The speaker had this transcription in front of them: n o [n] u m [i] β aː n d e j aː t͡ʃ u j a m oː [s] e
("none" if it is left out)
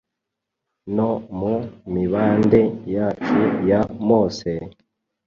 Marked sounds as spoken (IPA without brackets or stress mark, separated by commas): m, i, s